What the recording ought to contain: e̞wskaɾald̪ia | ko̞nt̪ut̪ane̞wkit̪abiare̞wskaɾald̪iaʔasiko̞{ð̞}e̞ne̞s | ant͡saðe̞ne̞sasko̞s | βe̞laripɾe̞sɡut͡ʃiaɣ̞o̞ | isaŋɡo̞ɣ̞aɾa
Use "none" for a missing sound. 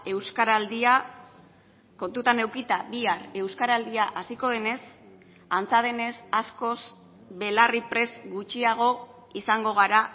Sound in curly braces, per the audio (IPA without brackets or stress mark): ð̞